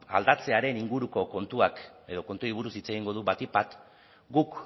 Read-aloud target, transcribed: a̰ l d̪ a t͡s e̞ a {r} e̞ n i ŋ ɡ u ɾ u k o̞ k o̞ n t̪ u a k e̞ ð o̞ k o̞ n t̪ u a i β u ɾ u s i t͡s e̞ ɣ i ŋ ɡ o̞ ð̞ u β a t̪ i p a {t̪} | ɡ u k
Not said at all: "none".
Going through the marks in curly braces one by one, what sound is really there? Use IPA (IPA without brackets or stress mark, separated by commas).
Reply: ɾ, t̪